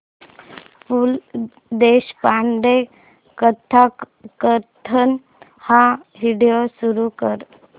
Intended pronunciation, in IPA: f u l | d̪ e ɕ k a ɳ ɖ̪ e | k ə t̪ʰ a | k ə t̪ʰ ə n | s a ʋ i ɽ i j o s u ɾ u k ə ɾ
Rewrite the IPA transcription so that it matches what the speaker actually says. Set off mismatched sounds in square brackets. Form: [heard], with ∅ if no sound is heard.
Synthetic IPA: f u l | d̪ e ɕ [p] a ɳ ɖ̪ e | k ə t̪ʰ a | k ə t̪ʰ ə n | [h] a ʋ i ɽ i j o s u ɾ u k ə ɾ